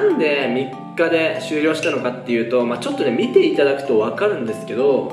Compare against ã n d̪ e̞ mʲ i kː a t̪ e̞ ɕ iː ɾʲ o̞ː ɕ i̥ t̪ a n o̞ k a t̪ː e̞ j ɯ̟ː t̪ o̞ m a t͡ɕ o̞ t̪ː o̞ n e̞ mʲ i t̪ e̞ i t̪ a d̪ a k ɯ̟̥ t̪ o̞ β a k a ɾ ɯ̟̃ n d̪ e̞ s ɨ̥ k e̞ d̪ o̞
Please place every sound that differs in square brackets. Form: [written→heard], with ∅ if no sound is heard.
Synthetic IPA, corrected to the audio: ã n d̪ e̞ mʲ i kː a [t̪→d̪] e̞ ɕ [iː→ɨː] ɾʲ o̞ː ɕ i̥ t̪ a n o̞ k a t̪ː e̞ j ɯ̟ː t̪ o̞ m a t͡ɕ o̞ t̪ː o̞ n e̞ mʲ i t̪ e̞ i t̪ a d̪ a k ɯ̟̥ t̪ o̞ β a k a ɾ ɯ̟̃ n d̪ e̞ s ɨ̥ k e̞ d̪ o̞